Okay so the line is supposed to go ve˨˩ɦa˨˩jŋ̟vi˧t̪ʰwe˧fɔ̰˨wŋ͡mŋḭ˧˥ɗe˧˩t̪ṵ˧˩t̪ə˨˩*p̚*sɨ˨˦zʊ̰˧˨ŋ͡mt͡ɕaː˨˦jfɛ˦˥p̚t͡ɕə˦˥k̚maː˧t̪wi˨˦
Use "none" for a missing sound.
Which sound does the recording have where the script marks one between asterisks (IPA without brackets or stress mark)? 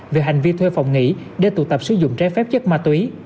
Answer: p̚